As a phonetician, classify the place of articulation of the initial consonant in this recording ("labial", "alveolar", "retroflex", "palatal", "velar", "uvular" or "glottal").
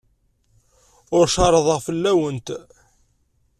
alveolar